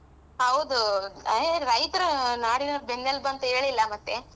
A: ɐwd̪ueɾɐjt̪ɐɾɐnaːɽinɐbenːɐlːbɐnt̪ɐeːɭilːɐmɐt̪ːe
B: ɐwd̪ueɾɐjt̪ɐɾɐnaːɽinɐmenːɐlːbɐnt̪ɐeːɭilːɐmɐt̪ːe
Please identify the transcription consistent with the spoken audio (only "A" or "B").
A